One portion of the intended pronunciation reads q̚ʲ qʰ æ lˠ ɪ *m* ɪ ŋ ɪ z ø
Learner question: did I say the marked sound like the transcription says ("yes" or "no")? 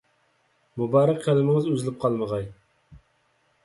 yes